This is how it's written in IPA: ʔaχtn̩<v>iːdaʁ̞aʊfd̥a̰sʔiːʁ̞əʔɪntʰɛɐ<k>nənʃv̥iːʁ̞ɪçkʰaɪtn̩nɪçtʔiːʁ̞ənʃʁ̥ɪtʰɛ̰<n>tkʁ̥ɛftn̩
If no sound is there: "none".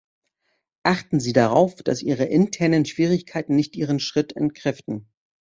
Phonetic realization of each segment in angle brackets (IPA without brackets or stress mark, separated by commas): z, none, n